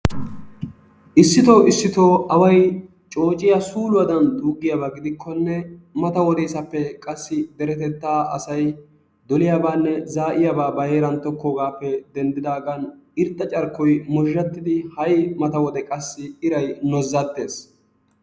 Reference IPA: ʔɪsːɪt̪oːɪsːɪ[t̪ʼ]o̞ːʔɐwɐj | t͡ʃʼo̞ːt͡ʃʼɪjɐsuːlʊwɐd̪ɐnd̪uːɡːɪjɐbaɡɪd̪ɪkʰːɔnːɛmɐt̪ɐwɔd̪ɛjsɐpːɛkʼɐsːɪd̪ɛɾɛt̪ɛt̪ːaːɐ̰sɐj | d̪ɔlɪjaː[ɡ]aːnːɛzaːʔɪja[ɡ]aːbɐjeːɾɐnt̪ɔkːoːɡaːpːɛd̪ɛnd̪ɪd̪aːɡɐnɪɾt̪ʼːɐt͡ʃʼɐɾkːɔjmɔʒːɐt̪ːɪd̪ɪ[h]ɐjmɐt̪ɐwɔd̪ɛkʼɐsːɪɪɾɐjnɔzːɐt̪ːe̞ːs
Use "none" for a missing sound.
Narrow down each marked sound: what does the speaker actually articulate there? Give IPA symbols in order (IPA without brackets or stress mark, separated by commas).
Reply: t̪, b, b, h